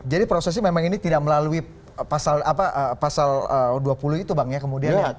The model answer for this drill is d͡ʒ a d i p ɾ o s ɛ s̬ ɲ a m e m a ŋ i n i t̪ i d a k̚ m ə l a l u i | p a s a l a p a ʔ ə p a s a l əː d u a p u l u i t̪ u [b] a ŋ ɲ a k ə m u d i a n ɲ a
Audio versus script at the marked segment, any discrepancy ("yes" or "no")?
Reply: no